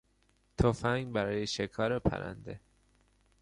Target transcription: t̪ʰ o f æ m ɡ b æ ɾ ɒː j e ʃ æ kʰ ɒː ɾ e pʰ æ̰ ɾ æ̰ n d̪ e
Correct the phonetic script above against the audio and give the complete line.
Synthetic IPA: t̪ʰ o f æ ŋ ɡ b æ ɾ ɒː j e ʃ e kʰ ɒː ɾ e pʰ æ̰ ɾ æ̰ n d̪ e